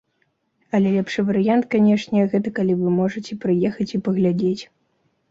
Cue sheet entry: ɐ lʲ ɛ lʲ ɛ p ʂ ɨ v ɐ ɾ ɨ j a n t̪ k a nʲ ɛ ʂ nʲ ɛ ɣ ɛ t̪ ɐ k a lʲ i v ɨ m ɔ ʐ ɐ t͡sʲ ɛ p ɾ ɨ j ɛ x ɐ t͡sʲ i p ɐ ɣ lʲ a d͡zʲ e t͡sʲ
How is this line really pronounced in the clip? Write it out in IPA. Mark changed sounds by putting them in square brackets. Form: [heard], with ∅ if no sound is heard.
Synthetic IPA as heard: ɐ lʲ ɛ lʲ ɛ p ʂ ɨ v ɐ ɾ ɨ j a n t̪ k a nʲ ɛ ʂ nʲ ɛ ɣ ɛ t̪ ɐ k a lʲ i v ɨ m ɔ ʐ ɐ t͡sʲ ɛ p ɾ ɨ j ɛ x ɐ t͡sʲ i p ɐ ɣ lʲ a d͡zʲ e t͡sʲ

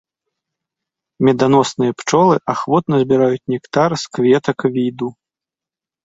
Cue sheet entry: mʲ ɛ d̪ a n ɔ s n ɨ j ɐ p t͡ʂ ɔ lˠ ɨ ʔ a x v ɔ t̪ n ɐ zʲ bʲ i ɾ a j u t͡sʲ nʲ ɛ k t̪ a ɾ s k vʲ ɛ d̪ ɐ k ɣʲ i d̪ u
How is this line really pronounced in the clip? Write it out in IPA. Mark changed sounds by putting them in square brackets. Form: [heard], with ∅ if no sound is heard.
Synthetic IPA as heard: mʲ ɛ d̪ a n ɔ s n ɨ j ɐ p t͡ʂ ɔ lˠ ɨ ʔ a x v ɔ t̪ n ɐ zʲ bʲ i ɾ a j u t͡sʲ nʲ ɛ k t̪ a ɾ s k vʲ ɛ [t̪] ɐ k [vʲ] i d̪ u

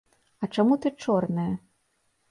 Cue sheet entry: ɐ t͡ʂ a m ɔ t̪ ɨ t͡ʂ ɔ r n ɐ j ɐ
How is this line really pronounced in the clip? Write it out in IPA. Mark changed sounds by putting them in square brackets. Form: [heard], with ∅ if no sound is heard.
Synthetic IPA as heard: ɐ t͡ʂ a m [u] t̪ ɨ t͡ʂ ɔ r n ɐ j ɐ

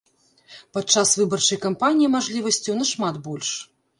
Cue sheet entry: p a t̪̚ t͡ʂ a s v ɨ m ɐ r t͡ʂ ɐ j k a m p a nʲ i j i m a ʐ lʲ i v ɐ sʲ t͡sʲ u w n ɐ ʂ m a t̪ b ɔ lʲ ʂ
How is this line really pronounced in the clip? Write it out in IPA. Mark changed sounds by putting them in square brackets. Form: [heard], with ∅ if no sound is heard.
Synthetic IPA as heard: p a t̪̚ t͡ʂ a s v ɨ [b] ɐ r t͡ʂ ɐ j k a m p a nʲ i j i m a ʐ lʲ i v ɐ sʲ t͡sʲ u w n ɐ ʂ m a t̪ b ɔ lʲ ʂ

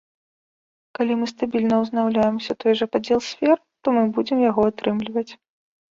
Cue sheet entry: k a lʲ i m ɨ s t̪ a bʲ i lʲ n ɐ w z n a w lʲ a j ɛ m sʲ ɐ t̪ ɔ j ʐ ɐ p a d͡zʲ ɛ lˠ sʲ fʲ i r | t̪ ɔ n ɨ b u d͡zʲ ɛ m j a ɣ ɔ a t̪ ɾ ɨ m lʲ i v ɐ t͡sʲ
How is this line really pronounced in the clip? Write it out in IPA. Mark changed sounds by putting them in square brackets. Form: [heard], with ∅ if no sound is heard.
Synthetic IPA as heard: k a lʲ i m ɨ s t̪ a bʲ i lʲ n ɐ w z n a w lʲ a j ɛ m sʲ ɐ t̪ ɔ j ʐ ɐ p a d͡zʲ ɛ lˠ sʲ fʲ [ɛ] r | t̪ ɔ [m] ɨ b u d͡zʲ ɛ m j a ɣ ɔ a t̪ ɾ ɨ m lʲ i v ɐ t͡sʲ

